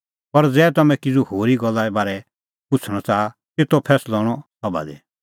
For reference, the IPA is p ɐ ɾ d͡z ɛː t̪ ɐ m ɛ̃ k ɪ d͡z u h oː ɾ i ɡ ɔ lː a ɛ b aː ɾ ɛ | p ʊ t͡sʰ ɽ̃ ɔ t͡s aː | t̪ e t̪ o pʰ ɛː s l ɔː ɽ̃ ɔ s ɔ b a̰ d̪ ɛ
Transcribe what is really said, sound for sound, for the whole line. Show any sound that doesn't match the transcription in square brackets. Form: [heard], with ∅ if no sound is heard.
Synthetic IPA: p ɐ ɾ d͡z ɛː t̪ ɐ m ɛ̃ k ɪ d͡z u h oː ɾ i ɡ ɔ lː a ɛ b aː ɾ ɛ | p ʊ t͡sʰ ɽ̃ ɔ t͡s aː | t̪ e t̪ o pʰ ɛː s l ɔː ɽ̃ ɔ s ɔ b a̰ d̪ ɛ